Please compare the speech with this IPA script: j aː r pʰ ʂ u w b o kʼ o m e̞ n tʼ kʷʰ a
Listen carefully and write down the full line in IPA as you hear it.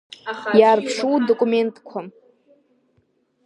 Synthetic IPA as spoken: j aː r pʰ ʂ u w d o kʼ u m e̞ n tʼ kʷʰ a